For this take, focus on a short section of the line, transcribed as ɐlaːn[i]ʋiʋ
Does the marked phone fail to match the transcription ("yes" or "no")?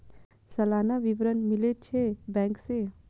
yes